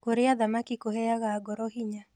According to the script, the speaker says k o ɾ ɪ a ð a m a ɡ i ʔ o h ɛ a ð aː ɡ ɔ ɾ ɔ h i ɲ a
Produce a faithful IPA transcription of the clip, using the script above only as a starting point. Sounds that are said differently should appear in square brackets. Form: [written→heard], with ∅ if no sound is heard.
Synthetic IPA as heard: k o ɾ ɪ a ð a m a [ɡ→k] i [ʔ→k] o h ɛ a [ð→ɣ] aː ɡ ɔ ɾ ɔ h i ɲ a

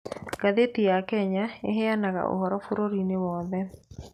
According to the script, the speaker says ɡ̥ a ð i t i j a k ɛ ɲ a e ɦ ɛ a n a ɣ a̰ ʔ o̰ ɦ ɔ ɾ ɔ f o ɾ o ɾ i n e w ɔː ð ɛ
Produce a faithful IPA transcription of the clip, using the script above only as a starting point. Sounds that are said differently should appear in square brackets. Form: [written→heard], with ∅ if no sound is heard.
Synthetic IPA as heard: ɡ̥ a ð [i→e] t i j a k ɛ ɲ a e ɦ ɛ a n a ɣ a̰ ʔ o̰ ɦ ɔ ɾ ɔ f o ɾ o ɾ i n e w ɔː ð ɛ

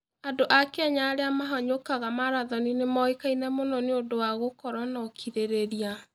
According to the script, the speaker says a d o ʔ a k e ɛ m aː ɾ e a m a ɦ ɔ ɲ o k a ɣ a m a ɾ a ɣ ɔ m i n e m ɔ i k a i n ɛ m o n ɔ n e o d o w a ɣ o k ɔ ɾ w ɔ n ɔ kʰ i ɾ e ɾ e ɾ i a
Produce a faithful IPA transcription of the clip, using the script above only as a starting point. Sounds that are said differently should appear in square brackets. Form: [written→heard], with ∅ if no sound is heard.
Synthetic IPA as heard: a d o ʔ a k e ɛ [m→ɲ] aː ɾ e a m a ɦ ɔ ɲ o k a ɣ a m a ɾ a [ɣ→ð] ɔ [m→n] i n e m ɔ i k a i n ɛ m o n ɔ n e o d o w a ɣ o k ɔ ɾ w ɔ n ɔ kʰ i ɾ e ɾ e ɾ i a

